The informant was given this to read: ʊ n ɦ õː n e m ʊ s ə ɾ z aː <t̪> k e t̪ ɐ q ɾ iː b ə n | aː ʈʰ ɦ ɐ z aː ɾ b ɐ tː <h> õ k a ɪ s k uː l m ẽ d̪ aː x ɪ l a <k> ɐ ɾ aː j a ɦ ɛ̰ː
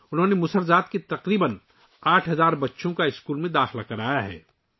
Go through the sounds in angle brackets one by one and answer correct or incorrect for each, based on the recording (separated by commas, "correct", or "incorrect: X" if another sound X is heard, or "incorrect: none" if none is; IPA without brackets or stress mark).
correct, incorrect: ʃ, correct